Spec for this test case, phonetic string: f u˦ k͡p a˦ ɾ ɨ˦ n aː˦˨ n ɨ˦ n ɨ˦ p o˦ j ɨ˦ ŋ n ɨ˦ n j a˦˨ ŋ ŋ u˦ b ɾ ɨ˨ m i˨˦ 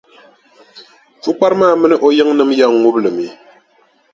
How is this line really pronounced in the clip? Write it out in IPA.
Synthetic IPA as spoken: f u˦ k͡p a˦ ɾ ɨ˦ m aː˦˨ m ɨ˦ n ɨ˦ ʔ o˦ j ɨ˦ ŋ n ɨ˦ m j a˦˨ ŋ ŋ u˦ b l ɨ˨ m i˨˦